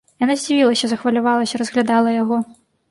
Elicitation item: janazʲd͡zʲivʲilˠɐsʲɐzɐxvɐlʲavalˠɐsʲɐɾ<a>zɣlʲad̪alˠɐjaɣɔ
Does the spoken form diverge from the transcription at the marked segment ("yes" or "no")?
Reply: yes